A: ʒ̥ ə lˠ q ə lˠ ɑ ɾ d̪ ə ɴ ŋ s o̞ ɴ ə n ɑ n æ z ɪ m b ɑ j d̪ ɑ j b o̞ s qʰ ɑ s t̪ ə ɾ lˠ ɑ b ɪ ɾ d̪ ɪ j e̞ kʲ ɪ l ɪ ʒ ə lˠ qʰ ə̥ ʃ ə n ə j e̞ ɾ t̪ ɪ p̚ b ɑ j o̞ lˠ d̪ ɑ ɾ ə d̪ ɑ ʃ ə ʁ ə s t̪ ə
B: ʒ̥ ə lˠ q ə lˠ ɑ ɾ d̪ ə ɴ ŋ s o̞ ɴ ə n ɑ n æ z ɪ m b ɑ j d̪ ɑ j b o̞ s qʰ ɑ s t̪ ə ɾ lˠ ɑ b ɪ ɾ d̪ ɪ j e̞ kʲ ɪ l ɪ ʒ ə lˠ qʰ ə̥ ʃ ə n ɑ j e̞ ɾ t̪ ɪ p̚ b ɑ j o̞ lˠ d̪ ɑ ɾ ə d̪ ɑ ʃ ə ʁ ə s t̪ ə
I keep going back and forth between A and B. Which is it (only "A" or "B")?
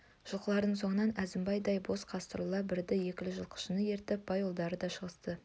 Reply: A